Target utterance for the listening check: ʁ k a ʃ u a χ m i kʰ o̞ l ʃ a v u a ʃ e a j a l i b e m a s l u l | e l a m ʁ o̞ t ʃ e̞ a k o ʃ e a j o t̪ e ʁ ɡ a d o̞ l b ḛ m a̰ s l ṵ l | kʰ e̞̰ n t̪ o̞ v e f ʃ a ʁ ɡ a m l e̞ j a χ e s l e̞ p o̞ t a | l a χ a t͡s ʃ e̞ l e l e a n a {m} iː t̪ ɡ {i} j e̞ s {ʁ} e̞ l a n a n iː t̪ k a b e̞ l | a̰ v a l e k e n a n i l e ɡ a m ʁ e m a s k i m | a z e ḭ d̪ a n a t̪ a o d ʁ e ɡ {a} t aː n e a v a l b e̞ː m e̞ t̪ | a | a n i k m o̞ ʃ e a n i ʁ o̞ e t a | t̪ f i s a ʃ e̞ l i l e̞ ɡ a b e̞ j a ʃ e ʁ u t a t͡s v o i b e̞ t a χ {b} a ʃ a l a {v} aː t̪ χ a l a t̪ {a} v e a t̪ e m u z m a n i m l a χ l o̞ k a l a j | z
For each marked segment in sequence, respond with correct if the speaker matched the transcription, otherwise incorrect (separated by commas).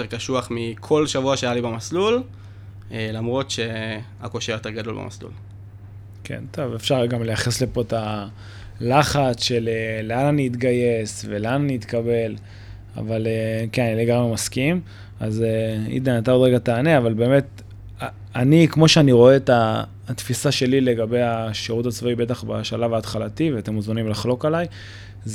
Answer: incorrect, incorrect, incorrect, correct, correct, correct, incorrect